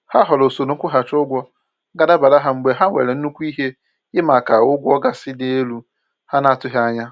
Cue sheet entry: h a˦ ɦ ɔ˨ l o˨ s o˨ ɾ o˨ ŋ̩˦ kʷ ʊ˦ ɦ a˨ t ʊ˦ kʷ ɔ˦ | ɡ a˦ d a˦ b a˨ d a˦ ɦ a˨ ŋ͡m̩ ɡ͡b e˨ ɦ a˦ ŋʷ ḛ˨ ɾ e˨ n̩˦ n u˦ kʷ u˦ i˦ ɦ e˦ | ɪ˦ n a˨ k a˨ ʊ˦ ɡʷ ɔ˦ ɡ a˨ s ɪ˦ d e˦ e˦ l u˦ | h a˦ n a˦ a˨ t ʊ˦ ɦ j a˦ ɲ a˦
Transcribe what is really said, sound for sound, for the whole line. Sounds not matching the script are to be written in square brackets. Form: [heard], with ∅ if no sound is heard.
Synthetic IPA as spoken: h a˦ ɦ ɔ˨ l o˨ s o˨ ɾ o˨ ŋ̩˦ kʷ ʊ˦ ɦ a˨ [t͡ʃ] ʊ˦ [ɡʷ] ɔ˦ | ɡ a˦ d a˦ b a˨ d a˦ ɦ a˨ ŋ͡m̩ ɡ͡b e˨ ɦ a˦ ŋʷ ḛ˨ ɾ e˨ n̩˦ n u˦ kʷ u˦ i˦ ɦ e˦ | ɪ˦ [m] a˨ k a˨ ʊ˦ ɡʷ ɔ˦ ɡ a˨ s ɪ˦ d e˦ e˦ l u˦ | h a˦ n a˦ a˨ t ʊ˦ ɦ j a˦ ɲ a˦